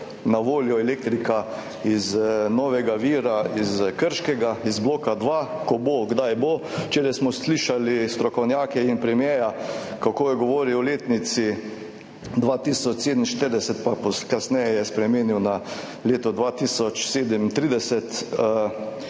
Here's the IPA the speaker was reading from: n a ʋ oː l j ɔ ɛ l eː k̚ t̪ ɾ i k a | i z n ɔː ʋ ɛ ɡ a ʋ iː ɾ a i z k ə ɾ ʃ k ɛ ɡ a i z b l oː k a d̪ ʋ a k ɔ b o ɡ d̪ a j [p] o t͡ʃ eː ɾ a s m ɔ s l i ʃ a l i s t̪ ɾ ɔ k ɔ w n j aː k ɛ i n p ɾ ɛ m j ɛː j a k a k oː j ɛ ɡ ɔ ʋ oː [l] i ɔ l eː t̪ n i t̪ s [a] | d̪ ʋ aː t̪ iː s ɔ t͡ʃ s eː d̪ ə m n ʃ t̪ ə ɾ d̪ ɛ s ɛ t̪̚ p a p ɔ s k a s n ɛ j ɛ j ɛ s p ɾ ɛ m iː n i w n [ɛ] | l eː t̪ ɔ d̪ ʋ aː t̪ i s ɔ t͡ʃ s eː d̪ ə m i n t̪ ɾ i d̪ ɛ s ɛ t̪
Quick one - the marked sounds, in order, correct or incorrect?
incorrect, incorrect, incorrect, incorrect

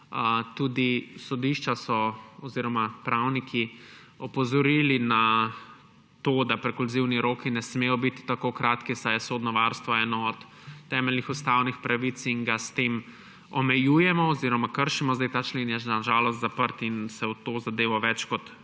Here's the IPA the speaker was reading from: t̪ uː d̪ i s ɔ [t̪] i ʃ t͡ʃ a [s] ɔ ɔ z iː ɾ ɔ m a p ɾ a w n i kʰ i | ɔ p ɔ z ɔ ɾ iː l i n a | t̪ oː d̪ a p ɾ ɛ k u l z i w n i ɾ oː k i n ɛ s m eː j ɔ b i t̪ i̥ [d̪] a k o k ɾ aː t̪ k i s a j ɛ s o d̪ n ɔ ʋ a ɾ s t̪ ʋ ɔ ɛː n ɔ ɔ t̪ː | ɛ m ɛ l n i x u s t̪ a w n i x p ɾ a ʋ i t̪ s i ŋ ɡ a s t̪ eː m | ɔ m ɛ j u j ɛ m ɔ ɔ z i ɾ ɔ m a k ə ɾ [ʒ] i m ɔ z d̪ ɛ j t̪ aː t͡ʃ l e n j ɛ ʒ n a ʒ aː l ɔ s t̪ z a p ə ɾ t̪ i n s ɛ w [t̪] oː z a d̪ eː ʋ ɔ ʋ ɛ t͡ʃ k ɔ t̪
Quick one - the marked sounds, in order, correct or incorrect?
incorrect, correct, incorrect, incorrect, correct

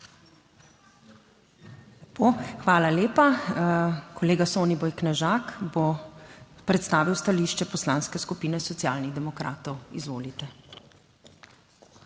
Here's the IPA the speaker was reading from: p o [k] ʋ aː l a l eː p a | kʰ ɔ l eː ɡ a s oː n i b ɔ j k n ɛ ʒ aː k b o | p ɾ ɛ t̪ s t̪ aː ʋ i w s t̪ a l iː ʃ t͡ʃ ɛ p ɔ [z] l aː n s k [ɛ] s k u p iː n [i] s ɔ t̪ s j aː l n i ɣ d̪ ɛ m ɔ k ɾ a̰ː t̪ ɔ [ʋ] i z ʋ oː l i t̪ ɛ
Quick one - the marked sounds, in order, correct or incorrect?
incorrect, incorrect, correct, incorrect, incorrect

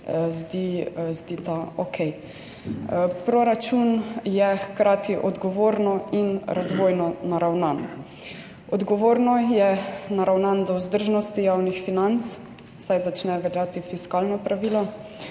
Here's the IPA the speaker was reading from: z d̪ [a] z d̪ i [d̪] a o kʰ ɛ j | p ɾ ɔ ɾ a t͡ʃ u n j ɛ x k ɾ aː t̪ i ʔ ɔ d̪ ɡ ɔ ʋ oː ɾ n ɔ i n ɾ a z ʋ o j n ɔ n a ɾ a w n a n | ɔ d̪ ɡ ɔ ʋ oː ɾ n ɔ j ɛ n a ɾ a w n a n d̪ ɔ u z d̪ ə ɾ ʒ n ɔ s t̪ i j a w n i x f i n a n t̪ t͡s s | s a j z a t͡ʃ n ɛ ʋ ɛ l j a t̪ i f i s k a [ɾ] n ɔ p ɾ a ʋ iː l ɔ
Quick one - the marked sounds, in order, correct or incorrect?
incorrect, incorrect, incorrect

